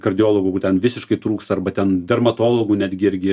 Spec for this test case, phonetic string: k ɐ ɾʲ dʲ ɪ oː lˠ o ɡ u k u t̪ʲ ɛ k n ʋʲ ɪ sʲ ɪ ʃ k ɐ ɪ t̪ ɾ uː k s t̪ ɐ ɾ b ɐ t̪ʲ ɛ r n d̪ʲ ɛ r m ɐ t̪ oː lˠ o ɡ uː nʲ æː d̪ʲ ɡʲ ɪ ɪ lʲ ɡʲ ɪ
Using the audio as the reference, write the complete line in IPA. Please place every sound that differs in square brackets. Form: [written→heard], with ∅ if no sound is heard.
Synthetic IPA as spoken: k ɐ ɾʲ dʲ ɪ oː lˠ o ɡ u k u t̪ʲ ɛ [k→∅] n ʋʲ ɪ sʲ ɪ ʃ k ɐ ɪ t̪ ɾ uː k s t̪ ɐ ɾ b ɐ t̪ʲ ɛ [r→∅] n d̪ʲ ɛ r m ɐ t̪ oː lˠ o ɡ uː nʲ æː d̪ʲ ɡʲ ɪ ɪ [lʲ→ɾʲ] ɡʲ ɪ